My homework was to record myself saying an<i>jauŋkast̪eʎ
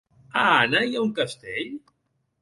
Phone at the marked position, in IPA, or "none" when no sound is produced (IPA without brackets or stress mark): a